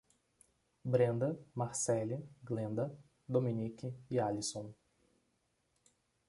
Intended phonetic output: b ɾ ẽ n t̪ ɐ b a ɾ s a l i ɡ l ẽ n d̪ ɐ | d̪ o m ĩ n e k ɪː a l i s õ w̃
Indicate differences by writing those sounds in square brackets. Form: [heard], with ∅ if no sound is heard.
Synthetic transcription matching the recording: b ɾ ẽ n [d̪] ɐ [m] a ɾ s [ɛ] l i ɡ l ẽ n d̪ ɐ | d̪ o m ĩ n [i] k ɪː a l i s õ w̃